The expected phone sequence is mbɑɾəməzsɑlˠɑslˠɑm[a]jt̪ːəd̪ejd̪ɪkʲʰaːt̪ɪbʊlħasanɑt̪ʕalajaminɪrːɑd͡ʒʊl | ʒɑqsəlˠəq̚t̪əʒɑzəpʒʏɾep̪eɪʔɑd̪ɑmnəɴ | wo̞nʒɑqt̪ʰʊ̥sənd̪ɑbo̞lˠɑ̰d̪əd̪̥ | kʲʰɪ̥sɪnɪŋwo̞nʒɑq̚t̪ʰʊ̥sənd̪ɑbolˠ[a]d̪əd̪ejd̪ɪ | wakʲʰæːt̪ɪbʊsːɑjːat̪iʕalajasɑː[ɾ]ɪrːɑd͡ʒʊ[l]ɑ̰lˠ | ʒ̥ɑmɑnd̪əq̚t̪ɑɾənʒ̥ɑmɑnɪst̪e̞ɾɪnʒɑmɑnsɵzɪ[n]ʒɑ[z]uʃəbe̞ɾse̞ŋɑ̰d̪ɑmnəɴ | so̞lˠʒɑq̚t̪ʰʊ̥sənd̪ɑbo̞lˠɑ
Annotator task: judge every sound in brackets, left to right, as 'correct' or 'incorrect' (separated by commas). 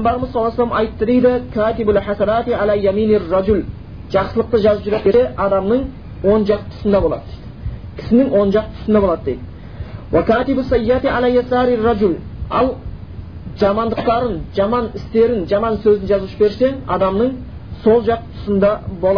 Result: incorrect, incorrect, correct, correct, correct, correct